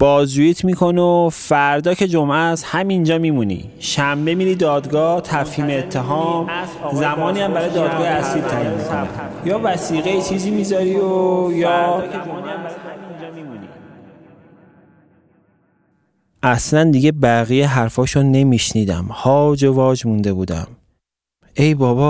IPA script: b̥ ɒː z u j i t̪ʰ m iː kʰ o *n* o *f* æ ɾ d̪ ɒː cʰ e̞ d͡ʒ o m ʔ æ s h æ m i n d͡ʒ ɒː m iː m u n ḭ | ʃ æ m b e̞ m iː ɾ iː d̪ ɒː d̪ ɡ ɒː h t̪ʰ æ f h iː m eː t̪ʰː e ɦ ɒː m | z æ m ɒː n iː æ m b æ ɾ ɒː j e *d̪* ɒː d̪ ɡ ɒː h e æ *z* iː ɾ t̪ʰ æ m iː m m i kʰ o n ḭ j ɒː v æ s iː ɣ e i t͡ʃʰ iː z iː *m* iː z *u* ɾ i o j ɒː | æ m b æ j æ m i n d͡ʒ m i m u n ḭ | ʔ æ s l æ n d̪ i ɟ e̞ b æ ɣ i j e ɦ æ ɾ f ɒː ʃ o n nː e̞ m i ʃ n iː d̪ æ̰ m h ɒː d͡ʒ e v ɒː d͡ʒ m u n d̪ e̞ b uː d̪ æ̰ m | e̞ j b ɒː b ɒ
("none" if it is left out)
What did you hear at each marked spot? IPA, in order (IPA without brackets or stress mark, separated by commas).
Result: n, f, d̪, s, m, ɒ